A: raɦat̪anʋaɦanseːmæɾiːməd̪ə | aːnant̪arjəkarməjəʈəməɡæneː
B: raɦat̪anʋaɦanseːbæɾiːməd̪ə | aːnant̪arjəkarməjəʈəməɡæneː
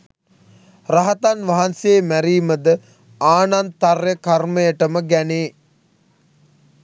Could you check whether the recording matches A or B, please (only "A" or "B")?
A